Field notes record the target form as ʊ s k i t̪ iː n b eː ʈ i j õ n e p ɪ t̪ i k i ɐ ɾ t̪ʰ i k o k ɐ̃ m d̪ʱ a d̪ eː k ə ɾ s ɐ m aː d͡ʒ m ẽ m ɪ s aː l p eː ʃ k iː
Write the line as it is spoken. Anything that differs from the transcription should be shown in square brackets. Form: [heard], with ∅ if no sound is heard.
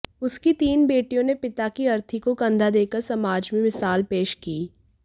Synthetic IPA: ʊ s k i t̪ iː n b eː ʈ i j õ n e p ɪ t̪ [a] k i ɐ ɾ t̪ʰ i k o k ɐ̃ [n] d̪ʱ a d̪ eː k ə ɾ s ɐ m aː d͡ʒ m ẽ m ɪ s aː l p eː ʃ k iː